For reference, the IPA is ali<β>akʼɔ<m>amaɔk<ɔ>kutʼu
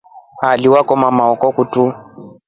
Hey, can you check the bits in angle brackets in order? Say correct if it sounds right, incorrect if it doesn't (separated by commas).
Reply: incorrect, correct, correct